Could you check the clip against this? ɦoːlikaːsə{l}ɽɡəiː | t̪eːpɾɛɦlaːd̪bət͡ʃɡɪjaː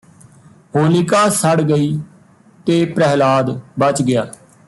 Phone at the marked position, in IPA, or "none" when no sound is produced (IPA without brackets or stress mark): none